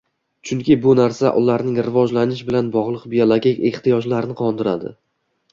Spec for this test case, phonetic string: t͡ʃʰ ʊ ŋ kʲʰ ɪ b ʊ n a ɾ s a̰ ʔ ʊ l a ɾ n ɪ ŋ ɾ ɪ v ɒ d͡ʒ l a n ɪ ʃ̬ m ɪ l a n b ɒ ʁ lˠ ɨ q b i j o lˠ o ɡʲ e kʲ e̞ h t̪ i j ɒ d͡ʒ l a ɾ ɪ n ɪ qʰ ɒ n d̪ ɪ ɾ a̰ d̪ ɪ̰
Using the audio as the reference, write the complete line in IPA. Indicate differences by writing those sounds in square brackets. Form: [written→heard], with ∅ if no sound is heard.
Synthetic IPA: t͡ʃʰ ʊ ŋ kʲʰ ɪ b ʊ n a ɾ s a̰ ʔ ʊ l a ɾ n ɪ ŋ ɾ ɪ v ɒ d͡ʒ l a n ɪ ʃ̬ [m→b] ɪ l a n b ɒ ʁ lˠ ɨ q b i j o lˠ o ɡʲ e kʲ e̞ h t̪ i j ɒ d͡ʒ l a ɾ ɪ n ɪ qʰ ɒ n d̪ ɪ ɾ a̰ d̪ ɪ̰